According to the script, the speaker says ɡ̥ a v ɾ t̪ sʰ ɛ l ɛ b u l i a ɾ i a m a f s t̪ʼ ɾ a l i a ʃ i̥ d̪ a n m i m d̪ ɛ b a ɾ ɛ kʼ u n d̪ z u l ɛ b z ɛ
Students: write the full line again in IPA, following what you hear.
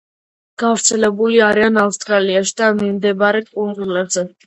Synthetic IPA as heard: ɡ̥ a v ɾ t̪ sʰ ɛ l ɛ b u l i a ɾ i a n a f s t̪ʼ ɾ a l i a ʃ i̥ d̪ a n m i m d̪ ɛ b a ɾ ɛ kʼ u n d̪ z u l ɛ b z ɛ